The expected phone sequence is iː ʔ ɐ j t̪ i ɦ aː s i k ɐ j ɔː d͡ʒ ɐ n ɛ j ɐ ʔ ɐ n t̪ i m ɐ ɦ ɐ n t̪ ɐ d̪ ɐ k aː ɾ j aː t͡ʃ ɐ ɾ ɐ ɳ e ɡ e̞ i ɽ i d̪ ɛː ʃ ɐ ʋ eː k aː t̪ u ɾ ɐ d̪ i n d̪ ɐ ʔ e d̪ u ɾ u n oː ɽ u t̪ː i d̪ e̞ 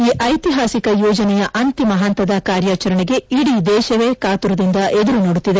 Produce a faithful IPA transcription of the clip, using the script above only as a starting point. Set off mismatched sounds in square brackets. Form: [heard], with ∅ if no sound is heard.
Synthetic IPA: iː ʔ ɐ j t̪ i ɦ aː s i k ɐ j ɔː d͡ʒ ɐ n ɛ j ɐ ʔ ɐ n t̪ i m ɐ ɦ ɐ n t̪ ɐ d̪ ɐ k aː ɾ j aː t͡ʃ ɐ ɾ ɐ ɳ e ɡ e̞ i ɽ i d̪ ɛː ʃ ɐ ʋ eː k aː t̪ u ɾ ɐ d̪ i n d̪ ɐ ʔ e d̪ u ɾ u n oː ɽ u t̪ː i d̪ e̞